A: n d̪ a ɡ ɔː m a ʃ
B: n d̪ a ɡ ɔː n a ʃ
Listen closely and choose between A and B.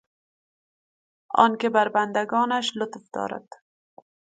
B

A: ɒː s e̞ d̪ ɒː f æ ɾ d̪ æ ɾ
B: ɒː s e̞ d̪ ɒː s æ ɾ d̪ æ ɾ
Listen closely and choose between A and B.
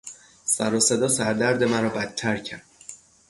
B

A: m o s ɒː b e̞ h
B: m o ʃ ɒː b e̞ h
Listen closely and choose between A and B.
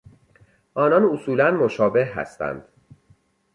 B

